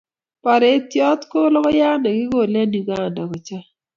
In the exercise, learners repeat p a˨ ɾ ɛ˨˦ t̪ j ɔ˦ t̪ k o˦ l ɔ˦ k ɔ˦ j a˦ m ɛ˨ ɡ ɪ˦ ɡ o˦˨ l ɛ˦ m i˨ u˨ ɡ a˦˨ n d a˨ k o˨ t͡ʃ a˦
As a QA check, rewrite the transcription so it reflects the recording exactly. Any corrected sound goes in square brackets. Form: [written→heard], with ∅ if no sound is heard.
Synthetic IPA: p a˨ ɾ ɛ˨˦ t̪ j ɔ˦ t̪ k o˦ l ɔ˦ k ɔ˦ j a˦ [m→n] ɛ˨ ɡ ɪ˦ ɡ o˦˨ l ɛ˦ [m→n] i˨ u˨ ɡ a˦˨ n d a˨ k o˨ t͡ʃ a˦